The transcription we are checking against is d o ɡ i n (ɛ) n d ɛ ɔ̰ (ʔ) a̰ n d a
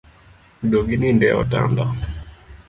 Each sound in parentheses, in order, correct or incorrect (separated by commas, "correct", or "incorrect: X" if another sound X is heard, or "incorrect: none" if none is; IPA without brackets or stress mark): incorrect: i, incorrect: t